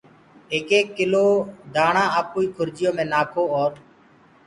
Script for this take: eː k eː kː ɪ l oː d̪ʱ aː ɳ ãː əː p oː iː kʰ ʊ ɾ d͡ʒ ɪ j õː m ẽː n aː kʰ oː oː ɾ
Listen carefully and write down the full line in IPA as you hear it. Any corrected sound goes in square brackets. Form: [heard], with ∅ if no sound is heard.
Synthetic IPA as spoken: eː k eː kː ɪ l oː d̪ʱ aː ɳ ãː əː p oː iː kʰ ʊ ɾ d͡ʒ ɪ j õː m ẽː n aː kʰ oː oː ɾ